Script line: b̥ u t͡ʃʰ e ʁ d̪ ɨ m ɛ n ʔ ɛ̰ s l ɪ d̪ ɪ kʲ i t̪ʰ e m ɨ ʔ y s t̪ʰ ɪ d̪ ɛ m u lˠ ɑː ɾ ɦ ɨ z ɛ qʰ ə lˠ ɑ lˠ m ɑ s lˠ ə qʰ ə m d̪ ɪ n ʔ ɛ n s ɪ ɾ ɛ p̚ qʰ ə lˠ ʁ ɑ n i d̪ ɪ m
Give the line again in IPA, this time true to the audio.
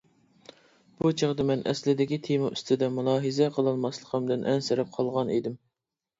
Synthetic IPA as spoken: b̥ u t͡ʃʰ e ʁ d̪ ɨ m ɛ n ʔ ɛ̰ s l ɪ d̪ ɪ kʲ i t̪ʰ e m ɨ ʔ y s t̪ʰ ɪ d̪ ɛ m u lˠ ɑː ɦ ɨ z ɛ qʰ ə lˠ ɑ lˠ m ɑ s lˠ ə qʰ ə m d̪ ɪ n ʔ ɛ n s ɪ ɾ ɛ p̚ qʰ ɑ lˠ ʁ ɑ n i d̪ ɪ m

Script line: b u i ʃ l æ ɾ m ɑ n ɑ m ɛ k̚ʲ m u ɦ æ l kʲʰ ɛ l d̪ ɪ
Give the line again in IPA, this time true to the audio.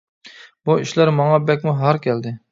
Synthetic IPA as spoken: b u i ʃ l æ ɾ m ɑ ŋ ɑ b ɛ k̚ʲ m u ɦ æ ɾ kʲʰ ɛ l d̪ ɪ

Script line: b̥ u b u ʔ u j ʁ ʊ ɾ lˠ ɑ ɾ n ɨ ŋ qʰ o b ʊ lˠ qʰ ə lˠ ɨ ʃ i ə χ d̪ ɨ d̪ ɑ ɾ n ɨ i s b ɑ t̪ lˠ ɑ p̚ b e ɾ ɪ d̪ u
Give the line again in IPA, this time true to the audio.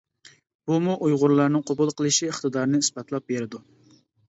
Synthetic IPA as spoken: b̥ u m u ʔ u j ʁ ʊ ɾ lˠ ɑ ɾ n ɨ ŋ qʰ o b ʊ lˠ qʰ ə lˠ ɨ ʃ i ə χ t̪ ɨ d̪ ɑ ɾ n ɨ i s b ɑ t̪ lˠ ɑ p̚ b e ɾ ɪ d̪ u

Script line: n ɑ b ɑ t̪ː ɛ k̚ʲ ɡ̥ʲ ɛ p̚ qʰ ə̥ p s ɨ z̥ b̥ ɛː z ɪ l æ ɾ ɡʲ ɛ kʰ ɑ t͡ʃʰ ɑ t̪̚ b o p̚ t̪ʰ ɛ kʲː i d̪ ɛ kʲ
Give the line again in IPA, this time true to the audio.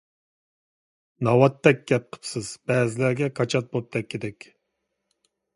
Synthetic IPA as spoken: n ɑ w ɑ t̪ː ɛ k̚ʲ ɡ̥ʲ ɛ p̚ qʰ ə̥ p s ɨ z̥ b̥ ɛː z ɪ l æ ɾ ɡʲ ɛ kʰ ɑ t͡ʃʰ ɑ t̪̚ b o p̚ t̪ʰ ɛ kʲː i d̪ ɛ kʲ

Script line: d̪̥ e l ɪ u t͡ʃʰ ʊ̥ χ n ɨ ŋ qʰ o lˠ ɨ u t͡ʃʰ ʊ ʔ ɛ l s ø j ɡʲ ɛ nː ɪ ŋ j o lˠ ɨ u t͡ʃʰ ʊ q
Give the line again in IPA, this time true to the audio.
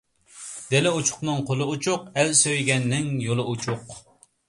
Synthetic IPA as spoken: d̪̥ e l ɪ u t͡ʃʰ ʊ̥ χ n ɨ ŋ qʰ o lˠ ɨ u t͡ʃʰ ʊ q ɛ l s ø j ɡʲ ɛ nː ɪ ŋ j o lˠ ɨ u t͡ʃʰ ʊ q

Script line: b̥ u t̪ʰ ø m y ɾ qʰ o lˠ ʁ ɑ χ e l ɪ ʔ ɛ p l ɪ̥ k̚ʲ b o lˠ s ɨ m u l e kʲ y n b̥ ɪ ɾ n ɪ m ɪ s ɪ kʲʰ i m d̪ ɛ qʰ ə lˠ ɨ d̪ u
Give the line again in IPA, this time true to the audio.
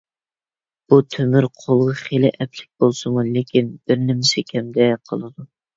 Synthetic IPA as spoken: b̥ u t̪ʰ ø m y ɾ qʰ o lˠ ʁ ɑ χ e l ɪ ʔ ɛ p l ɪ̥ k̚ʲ b o lˠ s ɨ m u l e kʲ i n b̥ ɪ ɾ n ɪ m ɪ s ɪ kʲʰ ɛ m d̪ ɛ qʰ ə lˠ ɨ d̪ u

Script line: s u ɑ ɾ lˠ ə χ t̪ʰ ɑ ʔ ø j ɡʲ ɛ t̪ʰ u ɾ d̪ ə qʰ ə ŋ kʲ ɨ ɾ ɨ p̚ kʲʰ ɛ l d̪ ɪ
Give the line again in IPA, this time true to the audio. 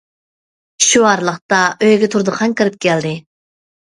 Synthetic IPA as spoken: ʃ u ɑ ɾ lˠ ə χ t̪ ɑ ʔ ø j ɡʲ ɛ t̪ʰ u ɾ d̪ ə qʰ ɑ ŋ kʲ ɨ ɾ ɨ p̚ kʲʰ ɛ l d̪ ɪ

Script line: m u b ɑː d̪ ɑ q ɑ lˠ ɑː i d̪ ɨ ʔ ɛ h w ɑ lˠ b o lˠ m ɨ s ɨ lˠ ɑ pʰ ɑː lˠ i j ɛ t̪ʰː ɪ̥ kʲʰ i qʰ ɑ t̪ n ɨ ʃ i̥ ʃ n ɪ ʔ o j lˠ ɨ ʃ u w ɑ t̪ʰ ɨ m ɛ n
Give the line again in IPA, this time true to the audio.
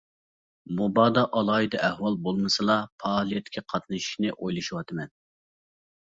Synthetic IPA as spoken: m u b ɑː d̪ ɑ ʔ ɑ lˠ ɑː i d̪ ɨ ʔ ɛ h w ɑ lˠ b o lˠ m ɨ s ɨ lˠ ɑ pʰ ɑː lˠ i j ɛ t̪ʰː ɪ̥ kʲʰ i qʰ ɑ t̪ n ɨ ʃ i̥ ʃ n ɪ ʔ o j lˠ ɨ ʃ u w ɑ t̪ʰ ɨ m ɛ n

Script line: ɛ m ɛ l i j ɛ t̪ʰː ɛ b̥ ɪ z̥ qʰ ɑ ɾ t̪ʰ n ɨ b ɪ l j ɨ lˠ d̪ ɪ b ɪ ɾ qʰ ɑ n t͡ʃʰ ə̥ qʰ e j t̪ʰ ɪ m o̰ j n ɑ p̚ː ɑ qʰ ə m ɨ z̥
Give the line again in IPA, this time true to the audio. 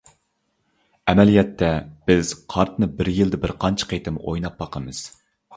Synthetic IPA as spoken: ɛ m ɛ l i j ɛ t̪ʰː ɛ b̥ ɪ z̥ qʰ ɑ ɾ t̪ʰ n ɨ b ɪ ɾ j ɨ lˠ d̪ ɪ b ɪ ɾ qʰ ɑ n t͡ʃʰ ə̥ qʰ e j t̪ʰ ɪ m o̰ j n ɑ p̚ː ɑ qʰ ə m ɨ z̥

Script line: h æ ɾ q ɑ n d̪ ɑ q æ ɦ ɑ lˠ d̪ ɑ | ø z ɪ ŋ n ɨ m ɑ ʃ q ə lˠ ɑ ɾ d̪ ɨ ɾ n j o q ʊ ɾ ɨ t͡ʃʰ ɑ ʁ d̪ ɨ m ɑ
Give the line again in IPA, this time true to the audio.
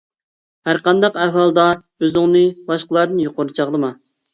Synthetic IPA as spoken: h æ ɾ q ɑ n d̪ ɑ q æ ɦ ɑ lˠ d̪ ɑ | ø z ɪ ŋ n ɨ b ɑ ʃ q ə lˠ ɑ ɾ d̪ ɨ n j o q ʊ ɾ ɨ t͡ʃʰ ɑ ʁ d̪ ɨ m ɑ

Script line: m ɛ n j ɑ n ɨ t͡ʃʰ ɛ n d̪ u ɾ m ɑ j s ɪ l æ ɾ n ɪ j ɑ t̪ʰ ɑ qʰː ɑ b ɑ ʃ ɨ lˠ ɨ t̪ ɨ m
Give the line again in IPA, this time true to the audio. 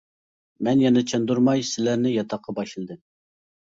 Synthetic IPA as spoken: m ɛ n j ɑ n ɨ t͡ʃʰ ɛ n d̪ u ɾ m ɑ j s ɪ l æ ɾ n ɪ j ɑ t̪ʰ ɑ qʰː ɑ b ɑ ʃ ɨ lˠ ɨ d̪ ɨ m

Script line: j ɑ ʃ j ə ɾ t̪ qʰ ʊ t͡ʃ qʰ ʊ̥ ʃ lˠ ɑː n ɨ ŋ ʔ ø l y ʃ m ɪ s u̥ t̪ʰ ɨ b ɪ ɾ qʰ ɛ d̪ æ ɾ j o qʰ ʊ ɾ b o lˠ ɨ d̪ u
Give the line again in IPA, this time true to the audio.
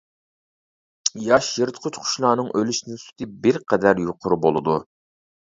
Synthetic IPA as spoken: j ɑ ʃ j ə ɾ t̪ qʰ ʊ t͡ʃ qʰ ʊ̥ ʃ lˠ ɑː n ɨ ŋ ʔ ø l y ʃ n ɪ s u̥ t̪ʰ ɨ b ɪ ɾ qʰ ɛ d̪ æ ɾ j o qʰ ʊ ɾ b o lˠ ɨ d̪ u

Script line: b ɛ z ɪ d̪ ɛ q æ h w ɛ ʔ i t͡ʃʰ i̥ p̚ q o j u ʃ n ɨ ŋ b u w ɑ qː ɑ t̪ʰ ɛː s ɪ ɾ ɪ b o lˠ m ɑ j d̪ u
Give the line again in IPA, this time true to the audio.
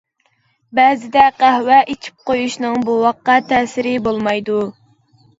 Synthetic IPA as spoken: b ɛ z ɪ d̪ ɛ q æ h w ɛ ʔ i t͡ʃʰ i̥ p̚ q o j u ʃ n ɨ ŋ b u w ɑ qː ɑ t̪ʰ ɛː s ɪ ɾ ɪ b o lˠ m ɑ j d̪ u

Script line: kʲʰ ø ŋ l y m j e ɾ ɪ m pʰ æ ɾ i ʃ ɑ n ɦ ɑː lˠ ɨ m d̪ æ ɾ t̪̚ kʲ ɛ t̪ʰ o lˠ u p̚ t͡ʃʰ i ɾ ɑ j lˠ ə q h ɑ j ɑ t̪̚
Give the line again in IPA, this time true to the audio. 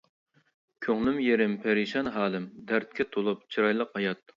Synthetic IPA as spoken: kʲʰ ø ŋ l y m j e ɾ ɪ m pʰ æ ɾ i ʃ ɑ n ɦ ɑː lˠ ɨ m d̪ æ ɾ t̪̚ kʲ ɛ t̪ʰ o lˠ u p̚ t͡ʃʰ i ɾ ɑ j lˠ ə q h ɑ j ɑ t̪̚

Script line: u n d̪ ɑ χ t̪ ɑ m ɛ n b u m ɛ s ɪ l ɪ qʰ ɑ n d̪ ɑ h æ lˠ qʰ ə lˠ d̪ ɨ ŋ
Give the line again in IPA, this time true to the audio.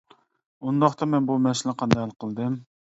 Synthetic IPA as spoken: u n d̪ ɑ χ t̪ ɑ m ɛ n b u m ɛ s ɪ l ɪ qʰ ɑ n d̪ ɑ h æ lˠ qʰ ə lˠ d̪ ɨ m

